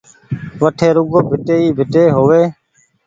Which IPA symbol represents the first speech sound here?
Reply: ʋ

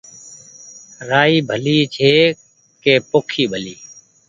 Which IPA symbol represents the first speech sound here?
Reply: ɾ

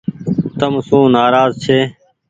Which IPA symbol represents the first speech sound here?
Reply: t̪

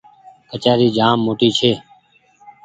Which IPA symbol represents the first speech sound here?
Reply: ə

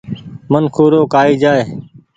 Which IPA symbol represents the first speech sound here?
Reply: m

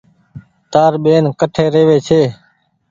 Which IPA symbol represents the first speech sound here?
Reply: t̪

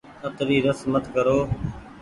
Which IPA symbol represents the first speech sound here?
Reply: ə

